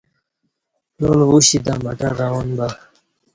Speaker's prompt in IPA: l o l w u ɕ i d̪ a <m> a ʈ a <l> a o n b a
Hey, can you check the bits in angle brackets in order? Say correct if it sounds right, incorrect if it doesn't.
correct, incorrect: ɾ

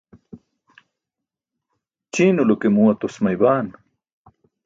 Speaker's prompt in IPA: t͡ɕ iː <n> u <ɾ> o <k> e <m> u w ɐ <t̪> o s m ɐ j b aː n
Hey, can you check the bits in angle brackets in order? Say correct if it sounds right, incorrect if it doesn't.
correct, incorrect: l, correct, correct, correct

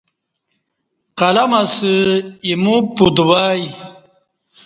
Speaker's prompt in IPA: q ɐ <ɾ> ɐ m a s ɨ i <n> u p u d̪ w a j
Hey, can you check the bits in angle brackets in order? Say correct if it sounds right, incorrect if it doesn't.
incorrect: l, incorrect: m

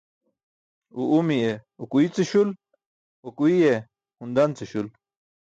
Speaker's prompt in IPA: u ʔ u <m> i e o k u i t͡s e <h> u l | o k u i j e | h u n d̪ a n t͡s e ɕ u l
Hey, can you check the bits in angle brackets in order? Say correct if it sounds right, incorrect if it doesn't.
correct, incorrect: ɕ

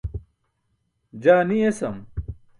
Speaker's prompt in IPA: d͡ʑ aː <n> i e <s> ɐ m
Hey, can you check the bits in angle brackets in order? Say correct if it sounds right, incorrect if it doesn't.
correct, correct

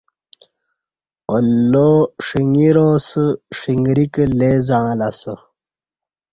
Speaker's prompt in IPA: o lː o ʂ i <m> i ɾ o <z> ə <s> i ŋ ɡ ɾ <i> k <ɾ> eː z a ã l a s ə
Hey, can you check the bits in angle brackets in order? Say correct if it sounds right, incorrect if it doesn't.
incorrect: ŋ, incorrect: s, incorrect: ʂ, correct, incorrect: l

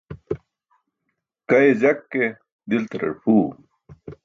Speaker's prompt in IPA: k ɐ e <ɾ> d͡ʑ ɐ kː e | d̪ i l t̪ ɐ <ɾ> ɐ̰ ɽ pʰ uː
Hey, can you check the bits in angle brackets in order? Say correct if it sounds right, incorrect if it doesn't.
incorrect: none, correct

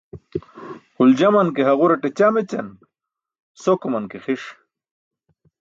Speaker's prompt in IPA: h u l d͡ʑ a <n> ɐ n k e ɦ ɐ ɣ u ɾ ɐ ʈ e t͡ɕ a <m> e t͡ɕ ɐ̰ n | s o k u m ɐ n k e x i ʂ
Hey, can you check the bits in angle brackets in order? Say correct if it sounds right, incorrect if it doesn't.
incorrect: m, correct

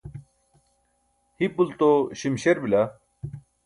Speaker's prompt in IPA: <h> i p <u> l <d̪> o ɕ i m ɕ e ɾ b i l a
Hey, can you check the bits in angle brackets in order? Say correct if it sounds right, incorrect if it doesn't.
correct, correct, incorrect: t̪

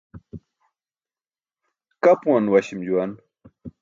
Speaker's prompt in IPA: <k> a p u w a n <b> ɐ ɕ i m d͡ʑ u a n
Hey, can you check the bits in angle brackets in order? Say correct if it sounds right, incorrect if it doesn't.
correct, incorrect: w

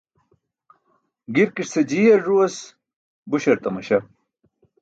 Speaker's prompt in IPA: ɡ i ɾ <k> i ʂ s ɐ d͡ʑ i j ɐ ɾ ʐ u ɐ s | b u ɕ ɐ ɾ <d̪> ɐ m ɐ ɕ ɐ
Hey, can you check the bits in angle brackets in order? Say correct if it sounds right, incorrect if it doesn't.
correct, incorrect: t̪

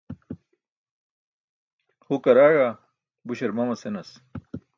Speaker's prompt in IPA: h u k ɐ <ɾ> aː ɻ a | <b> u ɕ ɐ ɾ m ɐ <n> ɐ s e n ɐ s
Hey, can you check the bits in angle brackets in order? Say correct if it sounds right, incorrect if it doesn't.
correct, correct, incorrect: m

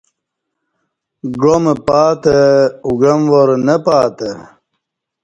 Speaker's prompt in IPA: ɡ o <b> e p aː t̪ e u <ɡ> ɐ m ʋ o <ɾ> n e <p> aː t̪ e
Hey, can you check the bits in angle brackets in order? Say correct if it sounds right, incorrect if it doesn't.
incorrect: m, correct, correct, correct

